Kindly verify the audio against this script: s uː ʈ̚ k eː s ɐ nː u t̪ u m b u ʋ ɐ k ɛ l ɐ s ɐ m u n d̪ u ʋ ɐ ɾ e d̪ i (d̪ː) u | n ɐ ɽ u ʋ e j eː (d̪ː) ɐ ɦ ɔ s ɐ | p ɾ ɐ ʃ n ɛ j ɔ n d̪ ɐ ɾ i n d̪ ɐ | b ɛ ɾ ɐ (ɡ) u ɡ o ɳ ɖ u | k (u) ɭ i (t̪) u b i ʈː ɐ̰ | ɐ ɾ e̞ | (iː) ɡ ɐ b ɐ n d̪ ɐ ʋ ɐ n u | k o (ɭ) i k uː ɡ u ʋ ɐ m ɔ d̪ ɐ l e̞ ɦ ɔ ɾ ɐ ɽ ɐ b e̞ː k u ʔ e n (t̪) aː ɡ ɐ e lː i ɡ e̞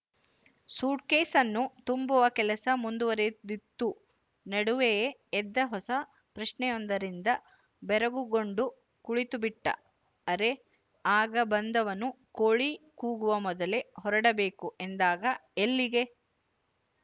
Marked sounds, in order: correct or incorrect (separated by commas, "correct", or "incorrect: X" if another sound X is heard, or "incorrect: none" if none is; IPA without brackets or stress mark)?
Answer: incorrect: t̪ː, correct, correct, correct, correct, incorrect: aː, correct, incorrect: d̪